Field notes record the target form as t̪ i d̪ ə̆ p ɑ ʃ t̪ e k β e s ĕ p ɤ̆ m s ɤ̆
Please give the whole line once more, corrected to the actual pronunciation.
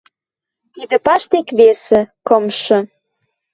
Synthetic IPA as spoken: t̪ i d̪ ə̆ p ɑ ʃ t̪ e k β e s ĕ k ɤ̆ m ʃ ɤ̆

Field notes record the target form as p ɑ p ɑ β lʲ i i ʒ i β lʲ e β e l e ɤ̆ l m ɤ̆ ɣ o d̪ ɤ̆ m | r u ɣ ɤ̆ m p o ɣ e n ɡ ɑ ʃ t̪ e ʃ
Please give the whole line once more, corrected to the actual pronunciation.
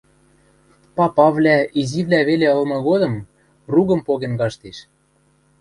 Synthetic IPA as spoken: p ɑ p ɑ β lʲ æ i z i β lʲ æ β e l e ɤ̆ l m ɤ̆ ɣ o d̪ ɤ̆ m | r u ɣ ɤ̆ m p o ɣ e n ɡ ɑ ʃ t̪ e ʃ

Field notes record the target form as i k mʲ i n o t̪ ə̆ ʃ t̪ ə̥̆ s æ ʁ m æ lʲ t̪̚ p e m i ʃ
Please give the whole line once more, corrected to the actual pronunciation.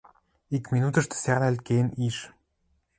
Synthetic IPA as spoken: i k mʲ i n u t̪ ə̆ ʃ t̪ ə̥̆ s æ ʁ n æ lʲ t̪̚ k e n i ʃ

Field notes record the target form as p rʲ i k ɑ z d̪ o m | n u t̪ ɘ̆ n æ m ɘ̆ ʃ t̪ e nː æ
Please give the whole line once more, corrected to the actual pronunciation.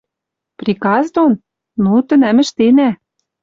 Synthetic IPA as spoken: p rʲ i k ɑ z d̪ o n | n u t̪ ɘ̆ n æ m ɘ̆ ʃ t̪ e n æ

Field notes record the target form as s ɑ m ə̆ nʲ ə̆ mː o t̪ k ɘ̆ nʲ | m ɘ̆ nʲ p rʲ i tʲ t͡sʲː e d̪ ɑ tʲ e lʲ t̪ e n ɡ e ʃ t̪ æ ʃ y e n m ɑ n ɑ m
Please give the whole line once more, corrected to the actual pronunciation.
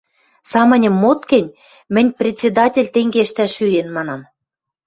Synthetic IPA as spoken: s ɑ m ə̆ nʲ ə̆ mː o t̪ k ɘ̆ nʲ | m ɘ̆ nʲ p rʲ e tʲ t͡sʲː e d̪ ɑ tʲ e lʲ t̪ e ŋ ɡ e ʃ t̪ æ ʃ y e n m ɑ n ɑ m

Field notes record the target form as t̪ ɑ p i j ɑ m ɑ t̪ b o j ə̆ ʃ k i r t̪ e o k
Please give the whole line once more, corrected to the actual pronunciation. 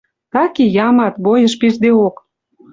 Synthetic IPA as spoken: t̪ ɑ k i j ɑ m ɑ t̪ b o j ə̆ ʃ p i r d̪ e o k

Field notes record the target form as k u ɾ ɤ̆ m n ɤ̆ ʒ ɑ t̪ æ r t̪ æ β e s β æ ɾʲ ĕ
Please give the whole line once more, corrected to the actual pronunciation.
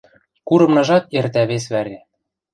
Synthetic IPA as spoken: k u ɾ ɤ̆ m n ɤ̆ ʒ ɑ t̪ e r t̪ æ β e s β æ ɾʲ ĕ

